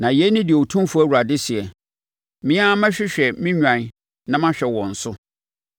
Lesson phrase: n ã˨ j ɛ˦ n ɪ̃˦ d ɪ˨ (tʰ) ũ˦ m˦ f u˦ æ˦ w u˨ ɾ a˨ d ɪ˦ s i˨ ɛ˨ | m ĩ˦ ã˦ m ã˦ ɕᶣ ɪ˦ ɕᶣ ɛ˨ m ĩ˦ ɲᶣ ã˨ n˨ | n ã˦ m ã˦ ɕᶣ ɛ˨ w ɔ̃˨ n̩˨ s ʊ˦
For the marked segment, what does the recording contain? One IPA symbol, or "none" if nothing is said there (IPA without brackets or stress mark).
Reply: tʰ